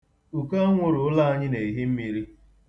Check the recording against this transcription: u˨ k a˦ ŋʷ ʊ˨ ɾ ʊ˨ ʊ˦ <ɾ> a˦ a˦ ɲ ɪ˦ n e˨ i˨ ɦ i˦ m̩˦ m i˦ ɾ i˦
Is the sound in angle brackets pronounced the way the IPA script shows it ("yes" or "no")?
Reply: no